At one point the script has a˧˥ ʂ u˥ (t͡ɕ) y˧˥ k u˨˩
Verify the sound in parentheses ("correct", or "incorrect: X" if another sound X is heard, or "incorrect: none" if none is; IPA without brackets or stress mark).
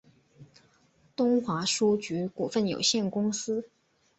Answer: correct